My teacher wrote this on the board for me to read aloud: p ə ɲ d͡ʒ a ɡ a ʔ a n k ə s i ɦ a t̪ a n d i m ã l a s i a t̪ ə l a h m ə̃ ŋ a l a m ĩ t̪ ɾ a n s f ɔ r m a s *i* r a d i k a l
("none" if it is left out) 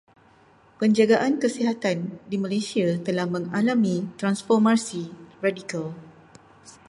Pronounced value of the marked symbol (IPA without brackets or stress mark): i